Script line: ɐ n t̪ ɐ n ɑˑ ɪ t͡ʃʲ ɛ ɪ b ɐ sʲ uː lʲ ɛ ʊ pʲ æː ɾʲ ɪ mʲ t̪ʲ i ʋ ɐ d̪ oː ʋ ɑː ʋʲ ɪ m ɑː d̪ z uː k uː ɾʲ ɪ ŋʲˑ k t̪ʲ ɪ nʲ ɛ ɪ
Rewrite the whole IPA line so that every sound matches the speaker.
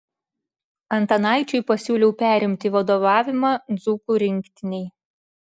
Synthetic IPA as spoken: ɐ n t̪ ɐ n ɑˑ ɪ t͡ʃʲ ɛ ɪ p ɐ sʲ uː lʲ ɛ ʊ pʲ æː ɾʲ ɪ mʲ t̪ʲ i ʋ ɐ d̪ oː ʋ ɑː ʋʲ ɪ m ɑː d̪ z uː k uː ɾʲ ɪ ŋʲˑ k t̪ʲ ɪ nʲ ɛ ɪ